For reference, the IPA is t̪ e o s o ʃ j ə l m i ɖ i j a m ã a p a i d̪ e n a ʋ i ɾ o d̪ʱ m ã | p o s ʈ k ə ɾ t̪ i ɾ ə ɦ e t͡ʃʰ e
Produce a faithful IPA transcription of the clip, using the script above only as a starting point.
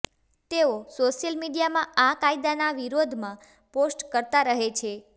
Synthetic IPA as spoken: t̪ e o s o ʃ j ə l m i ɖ i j a m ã a k a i d̪ a n a ʋ i ɾ o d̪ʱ m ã | p o s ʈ k ə ɾ t̪ a ɾ ə ɦ e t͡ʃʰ e